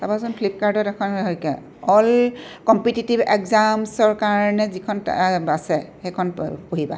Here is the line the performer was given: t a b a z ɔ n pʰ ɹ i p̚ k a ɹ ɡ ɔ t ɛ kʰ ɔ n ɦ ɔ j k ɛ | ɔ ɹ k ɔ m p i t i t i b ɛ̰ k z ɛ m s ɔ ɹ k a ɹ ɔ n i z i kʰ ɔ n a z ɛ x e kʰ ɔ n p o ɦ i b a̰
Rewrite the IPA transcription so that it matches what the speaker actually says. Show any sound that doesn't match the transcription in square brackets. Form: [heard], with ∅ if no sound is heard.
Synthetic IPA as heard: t a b a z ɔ n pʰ [l] i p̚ k a ɹ [d] ɔ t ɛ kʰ ɔ n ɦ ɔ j k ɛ | ɔ [l] k ɔ m p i t i t i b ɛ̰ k z [a] m s ɔ ɹ k a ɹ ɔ n [ɛ] z i kʰ ɔ n a [s] ɛ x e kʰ ɔ n p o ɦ i b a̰